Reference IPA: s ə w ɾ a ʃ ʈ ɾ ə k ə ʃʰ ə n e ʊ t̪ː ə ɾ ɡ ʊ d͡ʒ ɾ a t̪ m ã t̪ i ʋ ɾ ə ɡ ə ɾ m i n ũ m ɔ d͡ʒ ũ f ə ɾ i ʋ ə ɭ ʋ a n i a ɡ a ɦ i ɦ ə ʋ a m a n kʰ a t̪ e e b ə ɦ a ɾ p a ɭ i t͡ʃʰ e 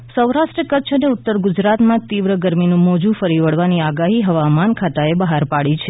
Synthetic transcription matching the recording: s ə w ɾ a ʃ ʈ ɾ ə k ə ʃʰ ə n e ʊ t̪ː ə ɾ ɡ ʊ d͡ʒ ɾ a t̪ m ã t̪ i ʋ ɾ ə ɡ ə ɾ m i n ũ m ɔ d͡ʒ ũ f ə ɾ i ʋ ə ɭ ʋ a n i a ɡ a ɦ i ɦ ə ʋ a m a n kʰ a t̪ a e b ə ɦ a ɾ p a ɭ i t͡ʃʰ e